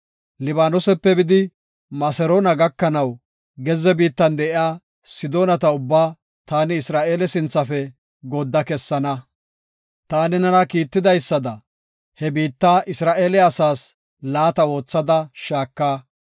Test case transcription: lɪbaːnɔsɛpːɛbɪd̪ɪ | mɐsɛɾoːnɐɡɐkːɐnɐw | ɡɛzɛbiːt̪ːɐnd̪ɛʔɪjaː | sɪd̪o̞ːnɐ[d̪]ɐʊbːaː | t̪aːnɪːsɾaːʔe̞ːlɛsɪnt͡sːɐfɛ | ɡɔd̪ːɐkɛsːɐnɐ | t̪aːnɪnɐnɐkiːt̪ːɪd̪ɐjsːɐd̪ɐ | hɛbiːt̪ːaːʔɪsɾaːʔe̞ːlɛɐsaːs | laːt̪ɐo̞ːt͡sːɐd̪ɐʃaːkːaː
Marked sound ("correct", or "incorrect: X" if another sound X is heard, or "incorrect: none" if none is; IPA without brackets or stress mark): incorrect: t̪